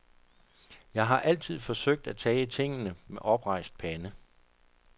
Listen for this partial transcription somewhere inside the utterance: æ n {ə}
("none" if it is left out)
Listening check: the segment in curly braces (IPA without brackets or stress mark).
ə